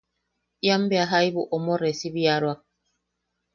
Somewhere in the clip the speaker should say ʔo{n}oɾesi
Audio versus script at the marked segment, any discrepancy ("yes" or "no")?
yes